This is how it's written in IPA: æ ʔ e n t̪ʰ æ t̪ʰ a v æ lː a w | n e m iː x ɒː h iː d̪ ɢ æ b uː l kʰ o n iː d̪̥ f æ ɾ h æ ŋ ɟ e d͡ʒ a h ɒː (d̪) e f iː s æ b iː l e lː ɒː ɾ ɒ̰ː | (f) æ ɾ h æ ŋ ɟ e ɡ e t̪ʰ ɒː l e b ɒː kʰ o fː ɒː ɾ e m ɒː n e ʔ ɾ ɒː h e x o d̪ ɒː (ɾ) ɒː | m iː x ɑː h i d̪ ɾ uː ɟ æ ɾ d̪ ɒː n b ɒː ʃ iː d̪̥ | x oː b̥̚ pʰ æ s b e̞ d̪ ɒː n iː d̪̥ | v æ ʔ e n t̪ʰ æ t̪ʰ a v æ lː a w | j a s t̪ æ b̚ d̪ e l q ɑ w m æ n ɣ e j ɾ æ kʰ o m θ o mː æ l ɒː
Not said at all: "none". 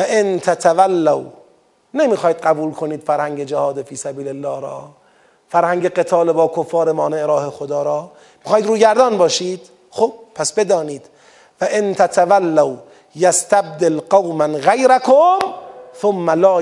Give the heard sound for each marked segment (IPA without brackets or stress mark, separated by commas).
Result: d̪, f, ɾ